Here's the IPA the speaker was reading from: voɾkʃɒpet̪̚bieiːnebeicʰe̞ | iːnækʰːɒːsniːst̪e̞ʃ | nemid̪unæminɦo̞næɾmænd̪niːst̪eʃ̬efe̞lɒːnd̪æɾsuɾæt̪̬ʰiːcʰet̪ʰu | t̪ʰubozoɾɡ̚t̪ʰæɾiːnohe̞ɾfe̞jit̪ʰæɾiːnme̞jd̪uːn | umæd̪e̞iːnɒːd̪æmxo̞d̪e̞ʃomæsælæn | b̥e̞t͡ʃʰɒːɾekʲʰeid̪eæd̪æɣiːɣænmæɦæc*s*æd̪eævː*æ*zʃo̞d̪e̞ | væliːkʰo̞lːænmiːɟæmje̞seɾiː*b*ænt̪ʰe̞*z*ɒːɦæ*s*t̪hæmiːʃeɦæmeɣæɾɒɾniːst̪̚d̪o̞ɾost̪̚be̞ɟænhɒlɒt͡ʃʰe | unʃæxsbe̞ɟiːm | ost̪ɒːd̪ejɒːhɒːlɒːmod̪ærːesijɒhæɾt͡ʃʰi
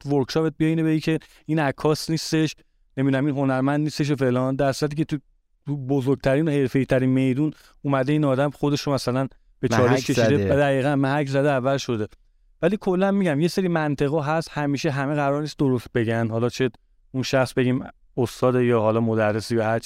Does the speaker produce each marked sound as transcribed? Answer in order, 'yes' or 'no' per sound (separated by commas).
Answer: no, yes, no, no, yes